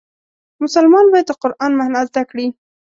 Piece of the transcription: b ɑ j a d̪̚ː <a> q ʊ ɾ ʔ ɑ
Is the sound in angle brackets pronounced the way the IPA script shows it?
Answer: no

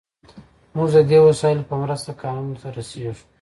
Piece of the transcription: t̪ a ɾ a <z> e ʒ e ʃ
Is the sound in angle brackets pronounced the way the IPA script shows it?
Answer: no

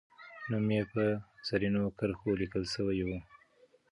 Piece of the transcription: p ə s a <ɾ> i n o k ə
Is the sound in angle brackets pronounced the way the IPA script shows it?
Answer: yes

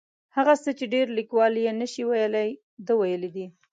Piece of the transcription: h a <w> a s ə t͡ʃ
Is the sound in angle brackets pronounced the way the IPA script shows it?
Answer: no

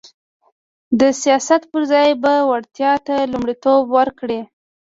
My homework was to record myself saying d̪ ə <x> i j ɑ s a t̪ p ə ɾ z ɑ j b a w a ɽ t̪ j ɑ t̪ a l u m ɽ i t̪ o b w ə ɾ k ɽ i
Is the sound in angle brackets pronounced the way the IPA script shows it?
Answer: no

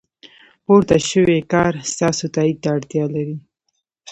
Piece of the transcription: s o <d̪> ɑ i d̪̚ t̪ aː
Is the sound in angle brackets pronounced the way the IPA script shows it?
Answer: no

